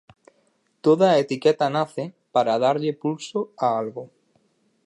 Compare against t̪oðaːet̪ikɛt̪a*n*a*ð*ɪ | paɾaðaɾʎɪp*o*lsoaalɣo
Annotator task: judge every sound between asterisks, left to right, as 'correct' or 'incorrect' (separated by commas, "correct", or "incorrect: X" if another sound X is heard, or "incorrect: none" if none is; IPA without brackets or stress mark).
correct, incorrect: θ, incorrect: u